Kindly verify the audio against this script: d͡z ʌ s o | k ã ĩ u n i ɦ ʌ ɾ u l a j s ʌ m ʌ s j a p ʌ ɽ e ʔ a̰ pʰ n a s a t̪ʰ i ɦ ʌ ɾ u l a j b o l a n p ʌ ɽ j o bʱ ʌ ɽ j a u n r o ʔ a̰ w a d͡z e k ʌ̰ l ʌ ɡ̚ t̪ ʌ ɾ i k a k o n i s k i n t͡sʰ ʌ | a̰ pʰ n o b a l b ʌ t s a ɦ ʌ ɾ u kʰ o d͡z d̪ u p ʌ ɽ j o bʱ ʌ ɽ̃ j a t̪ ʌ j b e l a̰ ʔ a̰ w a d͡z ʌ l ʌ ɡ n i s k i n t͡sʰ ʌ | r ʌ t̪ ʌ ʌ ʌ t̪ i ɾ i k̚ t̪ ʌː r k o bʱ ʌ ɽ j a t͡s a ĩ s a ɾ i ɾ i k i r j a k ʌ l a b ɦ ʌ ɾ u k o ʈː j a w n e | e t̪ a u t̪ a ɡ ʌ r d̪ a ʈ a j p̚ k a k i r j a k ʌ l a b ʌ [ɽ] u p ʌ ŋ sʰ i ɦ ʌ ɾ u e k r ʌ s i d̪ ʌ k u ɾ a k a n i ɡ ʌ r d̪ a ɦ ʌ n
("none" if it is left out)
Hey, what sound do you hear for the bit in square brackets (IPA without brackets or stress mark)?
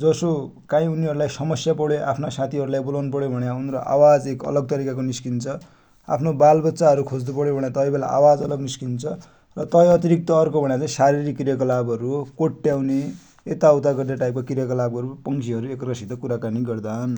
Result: ɾ